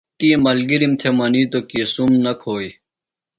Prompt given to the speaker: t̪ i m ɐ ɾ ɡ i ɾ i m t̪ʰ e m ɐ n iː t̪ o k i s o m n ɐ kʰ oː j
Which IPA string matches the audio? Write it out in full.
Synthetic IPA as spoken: t̪ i m ɐ l ɡ i ɾ i m t̪ʰ e m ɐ n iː t̪ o k i s u m n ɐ kʰ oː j